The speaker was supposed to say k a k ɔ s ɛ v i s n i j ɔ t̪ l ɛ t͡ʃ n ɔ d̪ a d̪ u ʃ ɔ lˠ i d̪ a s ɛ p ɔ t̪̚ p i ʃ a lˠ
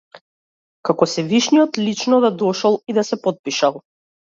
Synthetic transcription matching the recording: k a k ɔ s ɛ v i ʃ n i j ɔ t̪ l i t͡ʃ n ɔ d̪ a d̪ ɔ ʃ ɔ lˠ i d̪ a s ɛ p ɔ t̪̚ p i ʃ a lˠ